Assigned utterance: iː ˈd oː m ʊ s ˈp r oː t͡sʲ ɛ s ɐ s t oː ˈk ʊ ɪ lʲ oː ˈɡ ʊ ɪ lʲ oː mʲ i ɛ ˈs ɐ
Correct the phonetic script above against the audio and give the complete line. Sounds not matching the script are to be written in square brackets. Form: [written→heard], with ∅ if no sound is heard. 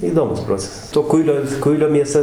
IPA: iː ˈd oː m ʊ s ˈp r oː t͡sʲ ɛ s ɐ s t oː ˈk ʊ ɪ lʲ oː [ˈɡ→ˈk] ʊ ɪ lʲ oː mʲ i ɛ ˈs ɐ